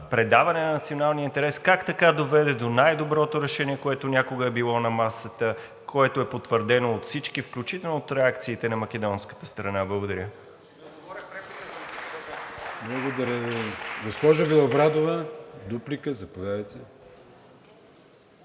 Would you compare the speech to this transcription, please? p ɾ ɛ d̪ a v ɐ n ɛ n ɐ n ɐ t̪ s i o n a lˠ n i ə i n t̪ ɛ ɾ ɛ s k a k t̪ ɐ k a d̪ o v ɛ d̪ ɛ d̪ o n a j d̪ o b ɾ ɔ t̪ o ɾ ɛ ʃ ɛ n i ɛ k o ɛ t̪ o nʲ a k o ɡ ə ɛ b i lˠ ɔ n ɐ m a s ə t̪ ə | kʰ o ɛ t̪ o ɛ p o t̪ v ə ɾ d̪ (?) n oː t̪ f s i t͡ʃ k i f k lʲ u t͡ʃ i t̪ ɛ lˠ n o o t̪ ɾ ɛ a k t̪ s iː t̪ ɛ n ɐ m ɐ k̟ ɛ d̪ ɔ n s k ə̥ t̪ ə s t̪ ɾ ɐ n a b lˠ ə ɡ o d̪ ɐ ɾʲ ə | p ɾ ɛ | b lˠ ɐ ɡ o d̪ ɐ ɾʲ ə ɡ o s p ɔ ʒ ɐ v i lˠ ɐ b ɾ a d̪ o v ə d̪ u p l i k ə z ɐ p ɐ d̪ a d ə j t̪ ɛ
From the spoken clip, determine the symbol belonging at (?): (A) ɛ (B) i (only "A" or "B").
A